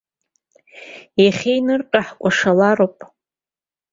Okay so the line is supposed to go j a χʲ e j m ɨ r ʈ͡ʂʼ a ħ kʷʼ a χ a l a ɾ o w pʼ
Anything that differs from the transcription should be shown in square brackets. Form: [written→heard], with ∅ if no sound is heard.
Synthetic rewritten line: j a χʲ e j [m→n] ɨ r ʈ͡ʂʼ a ħ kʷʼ a [χ→ʂ] a l a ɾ o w pʼ